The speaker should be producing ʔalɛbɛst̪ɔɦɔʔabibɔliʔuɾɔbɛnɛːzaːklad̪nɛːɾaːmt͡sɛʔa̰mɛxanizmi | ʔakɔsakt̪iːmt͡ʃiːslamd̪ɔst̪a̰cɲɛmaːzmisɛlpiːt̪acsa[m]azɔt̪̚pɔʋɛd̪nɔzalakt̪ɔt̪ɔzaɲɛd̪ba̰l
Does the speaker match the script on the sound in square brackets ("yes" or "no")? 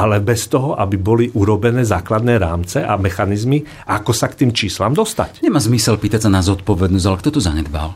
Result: no